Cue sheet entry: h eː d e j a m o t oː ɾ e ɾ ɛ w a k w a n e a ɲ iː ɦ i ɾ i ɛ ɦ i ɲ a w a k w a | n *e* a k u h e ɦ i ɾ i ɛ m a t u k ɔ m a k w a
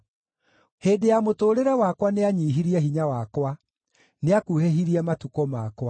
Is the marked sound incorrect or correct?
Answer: correct